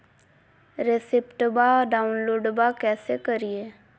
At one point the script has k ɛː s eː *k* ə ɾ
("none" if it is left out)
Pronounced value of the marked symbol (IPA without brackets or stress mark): k